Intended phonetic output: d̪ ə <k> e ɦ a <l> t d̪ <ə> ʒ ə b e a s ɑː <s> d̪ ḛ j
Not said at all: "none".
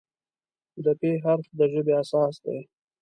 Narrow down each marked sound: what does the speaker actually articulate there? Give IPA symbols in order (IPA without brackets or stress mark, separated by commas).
p, ɾ, ə, s